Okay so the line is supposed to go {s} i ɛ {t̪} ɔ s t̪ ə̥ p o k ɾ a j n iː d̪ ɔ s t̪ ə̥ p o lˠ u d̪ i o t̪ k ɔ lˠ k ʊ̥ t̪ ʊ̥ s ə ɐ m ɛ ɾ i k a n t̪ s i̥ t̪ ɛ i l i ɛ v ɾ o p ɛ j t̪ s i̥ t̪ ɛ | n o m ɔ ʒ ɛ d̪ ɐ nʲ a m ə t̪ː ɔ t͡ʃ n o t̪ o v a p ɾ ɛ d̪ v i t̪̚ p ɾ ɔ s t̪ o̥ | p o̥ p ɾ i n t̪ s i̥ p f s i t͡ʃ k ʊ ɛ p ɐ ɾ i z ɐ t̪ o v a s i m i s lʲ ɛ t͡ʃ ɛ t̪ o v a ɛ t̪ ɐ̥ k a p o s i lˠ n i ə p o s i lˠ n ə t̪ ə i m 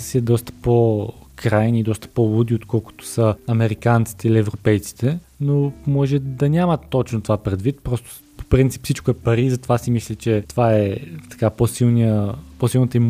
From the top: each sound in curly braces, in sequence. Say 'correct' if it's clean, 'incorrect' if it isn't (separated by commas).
correct, incorrect